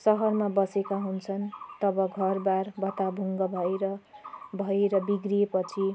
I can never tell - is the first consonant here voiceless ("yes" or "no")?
yes